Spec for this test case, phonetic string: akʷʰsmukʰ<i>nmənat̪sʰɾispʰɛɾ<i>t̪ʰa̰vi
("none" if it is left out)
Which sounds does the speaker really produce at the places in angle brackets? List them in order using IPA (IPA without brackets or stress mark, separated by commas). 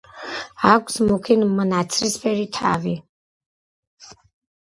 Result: i, i